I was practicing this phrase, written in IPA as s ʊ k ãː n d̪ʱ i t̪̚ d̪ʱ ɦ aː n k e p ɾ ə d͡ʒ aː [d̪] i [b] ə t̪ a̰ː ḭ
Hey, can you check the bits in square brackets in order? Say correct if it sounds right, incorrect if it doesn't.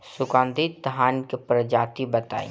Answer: incorrect: t̪, correct

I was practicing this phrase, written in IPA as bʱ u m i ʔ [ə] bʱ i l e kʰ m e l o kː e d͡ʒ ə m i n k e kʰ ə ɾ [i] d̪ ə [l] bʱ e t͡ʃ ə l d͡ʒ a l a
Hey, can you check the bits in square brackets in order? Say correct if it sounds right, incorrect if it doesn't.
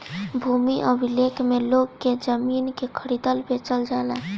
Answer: correct, correct, correct

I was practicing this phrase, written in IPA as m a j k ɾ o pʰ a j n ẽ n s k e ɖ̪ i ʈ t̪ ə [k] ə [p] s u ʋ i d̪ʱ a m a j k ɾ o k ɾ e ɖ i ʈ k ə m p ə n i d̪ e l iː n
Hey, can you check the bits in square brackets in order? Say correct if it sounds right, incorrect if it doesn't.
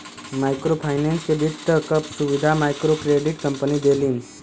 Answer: correct, correct

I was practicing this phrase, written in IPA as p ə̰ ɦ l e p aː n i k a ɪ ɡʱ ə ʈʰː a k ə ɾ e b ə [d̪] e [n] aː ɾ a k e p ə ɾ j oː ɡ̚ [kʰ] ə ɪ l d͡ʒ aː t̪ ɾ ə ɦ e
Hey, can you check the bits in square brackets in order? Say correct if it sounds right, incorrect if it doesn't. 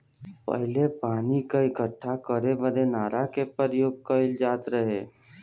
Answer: correct, correct, incorrect: k

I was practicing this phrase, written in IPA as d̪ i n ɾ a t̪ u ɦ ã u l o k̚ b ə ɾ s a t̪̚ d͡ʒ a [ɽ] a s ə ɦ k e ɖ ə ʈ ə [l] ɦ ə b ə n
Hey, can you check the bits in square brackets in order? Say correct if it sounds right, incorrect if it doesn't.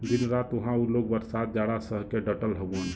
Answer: correct, correct

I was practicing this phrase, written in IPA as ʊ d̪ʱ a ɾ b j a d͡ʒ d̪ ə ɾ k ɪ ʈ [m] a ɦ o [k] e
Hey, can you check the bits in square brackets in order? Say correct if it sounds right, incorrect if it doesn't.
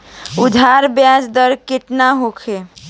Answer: incorrect: n, incorrect: kʰ

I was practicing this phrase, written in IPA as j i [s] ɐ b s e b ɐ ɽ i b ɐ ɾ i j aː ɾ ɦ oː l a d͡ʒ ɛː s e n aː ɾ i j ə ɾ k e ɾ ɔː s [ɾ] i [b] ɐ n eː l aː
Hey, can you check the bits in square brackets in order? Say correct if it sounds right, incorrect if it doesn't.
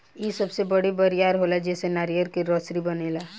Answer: correct, correct, correct

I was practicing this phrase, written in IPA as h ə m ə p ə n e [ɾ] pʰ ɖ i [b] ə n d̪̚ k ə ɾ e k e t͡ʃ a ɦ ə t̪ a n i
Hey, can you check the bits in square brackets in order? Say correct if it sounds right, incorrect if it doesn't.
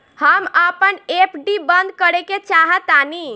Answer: incorrect: none, correct

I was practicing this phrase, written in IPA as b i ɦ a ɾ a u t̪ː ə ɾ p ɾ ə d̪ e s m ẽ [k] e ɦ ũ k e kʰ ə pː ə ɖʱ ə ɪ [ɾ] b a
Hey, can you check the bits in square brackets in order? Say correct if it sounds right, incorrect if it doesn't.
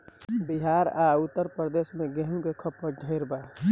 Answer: incorrect: ɡ, correct

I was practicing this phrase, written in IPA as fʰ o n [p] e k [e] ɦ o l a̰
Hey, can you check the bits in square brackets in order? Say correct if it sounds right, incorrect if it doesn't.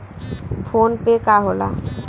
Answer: correct, incorrect: a

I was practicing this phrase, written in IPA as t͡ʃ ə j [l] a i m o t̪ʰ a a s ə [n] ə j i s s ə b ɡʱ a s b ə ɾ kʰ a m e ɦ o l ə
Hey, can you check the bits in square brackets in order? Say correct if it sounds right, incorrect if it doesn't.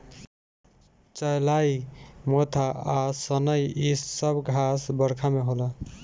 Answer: correct, correct

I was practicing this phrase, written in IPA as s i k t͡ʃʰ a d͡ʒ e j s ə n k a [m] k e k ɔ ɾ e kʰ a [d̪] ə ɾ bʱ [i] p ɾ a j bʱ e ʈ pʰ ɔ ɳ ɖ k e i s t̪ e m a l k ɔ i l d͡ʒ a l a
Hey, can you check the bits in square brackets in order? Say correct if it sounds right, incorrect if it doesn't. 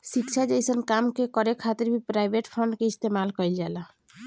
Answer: correct, incorrect: t̪, correct

